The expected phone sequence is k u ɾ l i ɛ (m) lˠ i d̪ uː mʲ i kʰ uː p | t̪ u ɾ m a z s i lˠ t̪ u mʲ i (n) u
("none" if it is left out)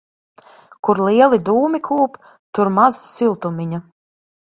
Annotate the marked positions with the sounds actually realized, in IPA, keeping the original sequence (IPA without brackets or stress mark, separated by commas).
none, ɲ